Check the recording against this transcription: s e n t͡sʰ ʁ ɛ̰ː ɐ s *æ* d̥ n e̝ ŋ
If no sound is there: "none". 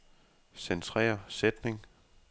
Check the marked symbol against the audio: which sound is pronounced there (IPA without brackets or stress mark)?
e